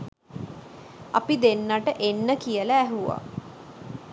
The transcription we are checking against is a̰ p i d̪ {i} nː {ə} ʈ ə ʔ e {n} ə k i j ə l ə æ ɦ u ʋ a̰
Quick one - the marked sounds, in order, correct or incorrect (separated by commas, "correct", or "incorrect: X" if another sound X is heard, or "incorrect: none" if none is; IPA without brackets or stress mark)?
incorrect: e, incorrect: a, incorrect: nː